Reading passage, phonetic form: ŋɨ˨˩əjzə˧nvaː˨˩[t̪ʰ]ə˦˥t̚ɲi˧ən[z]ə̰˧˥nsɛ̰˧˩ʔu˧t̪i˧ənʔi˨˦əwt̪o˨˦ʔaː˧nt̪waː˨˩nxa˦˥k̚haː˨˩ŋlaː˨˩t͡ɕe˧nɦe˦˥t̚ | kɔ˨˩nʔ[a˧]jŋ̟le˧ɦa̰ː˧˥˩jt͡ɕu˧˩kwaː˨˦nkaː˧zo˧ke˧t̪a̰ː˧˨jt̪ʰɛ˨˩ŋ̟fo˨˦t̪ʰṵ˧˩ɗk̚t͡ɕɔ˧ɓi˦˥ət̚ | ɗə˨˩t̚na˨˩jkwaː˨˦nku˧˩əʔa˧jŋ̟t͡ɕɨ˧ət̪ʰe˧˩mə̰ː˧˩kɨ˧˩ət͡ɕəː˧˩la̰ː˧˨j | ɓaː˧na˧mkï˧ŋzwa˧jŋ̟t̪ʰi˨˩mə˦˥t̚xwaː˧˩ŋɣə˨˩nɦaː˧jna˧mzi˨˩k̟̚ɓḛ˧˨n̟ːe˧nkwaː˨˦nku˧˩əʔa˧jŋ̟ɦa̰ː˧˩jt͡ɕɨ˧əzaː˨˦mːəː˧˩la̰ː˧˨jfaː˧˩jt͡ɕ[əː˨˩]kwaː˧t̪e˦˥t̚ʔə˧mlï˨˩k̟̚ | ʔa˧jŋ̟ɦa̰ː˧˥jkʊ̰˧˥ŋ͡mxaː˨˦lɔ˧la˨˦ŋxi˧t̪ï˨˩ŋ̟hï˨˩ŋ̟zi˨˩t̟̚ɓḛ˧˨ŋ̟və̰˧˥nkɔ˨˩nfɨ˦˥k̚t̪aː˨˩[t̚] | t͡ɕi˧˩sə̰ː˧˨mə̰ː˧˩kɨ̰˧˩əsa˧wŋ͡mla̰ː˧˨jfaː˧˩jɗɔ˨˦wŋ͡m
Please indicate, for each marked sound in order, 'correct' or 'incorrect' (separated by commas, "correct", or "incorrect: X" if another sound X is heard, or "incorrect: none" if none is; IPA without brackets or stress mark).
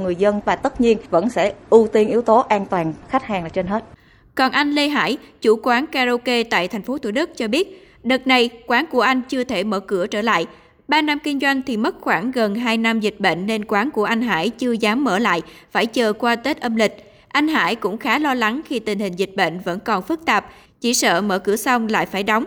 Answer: incorrect: t̪, incorrect: v, correct, correct, incorrect: p̚